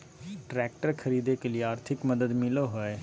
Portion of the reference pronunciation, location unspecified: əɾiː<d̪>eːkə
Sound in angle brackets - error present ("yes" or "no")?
no